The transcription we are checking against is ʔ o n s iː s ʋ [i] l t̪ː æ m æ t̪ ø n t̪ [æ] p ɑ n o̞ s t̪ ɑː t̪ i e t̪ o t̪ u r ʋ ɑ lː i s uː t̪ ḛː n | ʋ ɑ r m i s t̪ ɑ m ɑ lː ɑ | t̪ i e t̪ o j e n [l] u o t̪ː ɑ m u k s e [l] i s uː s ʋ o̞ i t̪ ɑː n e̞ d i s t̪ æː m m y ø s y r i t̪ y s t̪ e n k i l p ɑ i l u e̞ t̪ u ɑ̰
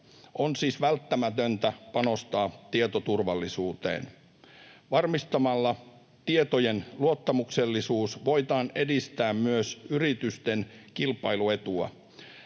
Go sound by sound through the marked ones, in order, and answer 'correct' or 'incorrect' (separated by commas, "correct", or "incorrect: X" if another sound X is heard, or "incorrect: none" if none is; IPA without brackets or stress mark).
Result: incorrect: æ, correct, correct, incorrect: lː